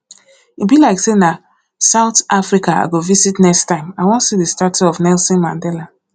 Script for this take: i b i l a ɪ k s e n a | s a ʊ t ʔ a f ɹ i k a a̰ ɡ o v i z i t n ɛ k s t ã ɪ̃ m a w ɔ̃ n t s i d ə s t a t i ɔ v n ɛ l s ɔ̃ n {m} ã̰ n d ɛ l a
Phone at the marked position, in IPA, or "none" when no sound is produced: m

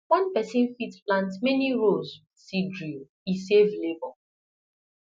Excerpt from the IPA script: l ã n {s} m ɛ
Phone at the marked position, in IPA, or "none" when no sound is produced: t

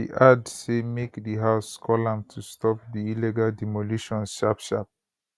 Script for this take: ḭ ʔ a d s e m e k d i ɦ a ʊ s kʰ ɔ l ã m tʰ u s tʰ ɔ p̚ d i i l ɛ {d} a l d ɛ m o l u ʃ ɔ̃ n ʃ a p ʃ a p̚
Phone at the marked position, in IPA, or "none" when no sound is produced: ɡ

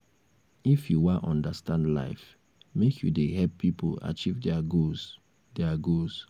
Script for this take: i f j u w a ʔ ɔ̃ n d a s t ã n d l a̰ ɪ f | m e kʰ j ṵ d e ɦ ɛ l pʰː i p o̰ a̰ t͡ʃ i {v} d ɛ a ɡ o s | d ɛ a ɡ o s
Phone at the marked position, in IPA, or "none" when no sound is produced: v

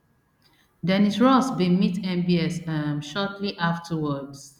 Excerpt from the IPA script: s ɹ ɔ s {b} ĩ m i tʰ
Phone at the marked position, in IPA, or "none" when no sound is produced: b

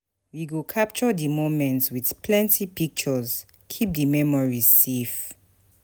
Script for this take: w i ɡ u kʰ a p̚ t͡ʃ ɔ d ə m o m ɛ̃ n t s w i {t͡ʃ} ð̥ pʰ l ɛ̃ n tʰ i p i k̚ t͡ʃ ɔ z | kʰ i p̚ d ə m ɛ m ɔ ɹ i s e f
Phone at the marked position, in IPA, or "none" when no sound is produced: none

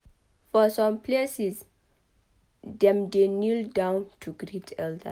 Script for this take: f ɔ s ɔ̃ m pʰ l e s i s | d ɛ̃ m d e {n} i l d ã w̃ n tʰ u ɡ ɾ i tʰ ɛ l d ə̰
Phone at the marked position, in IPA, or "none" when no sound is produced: n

